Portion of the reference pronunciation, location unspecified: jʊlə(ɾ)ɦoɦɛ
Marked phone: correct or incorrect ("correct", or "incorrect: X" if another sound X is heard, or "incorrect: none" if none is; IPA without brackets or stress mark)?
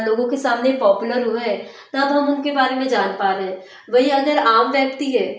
correct